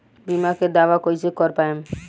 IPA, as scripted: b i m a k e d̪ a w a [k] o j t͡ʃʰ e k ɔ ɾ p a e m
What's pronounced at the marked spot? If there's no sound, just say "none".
k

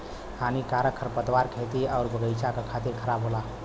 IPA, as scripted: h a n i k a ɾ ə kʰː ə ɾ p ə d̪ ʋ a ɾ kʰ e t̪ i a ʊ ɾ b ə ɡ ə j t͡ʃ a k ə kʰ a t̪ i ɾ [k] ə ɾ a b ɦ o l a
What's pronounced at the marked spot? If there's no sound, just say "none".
kʰ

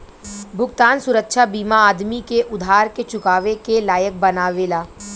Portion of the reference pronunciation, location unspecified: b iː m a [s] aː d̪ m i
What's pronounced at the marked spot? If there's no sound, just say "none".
none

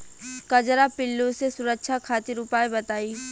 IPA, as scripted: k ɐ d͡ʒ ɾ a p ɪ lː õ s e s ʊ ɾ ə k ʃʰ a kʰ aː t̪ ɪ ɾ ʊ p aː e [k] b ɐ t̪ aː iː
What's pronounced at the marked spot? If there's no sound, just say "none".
none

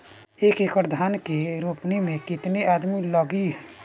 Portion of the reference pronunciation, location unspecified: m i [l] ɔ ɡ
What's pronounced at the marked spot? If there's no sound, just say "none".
l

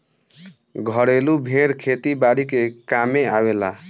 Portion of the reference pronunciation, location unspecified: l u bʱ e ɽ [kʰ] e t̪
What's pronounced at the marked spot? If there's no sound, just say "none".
kʰ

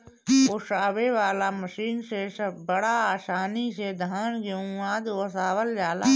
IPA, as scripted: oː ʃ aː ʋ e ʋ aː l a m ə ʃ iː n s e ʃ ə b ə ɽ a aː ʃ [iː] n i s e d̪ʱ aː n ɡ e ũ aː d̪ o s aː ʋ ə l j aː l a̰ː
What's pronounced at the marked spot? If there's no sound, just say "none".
aː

